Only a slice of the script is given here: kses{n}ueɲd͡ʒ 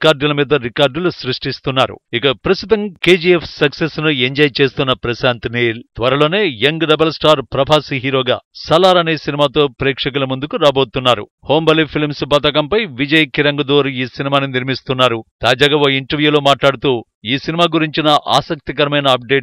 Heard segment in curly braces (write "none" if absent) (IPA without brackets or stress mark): n